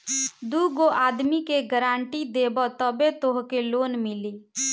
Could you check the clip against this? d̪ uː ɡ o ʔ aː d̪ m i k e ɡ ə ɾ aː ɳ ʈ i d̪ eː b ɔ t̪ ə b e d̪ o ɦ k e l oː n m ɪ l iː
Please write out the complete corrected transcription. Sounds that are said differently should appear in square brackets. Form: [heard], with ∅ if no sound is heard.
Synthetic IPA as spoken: d̪ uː ɡ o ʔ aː d̪ m i k e ɡ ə ɾ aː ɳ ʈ i d̪ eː b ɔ t̪ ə b e [t̪] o ɦ k e l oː n m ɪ l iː